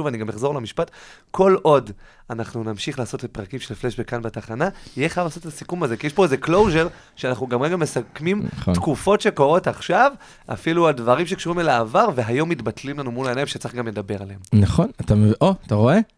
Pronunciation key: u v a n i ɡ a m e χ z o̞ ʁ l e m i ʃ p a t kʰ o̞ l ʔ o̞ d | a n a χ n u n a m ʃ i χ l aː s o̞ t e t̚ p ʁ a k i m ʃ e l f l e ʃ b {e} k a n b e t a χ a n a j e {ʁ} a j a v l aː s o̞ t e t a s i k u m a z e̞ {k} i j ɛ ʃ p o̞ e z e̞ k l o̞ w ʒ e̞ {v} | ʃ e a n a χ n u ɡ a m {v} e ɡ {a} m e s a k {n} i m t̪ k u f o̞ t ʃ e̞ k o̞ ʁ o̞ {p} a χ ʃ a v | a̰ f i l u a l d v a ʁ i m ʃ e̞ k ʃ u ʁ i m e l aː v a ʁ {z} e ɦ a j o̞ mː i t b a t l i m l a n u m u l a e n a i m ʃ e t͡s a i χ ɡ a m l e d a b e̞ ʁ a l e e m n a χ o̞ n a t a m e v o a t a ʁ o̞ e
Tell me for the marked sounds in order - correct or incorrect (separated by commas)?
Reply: correct, incorrect, correct, incorrect, incorrect, correct, incorrect, incorrect, incorrect